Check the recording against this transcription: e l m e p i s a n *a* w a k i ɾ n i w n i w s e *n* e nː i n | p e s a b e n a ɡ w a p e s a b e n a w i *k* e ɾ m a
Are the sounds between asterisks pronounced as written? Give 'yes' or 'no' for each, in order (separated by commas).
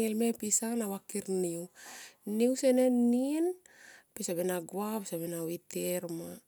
yes, yes, no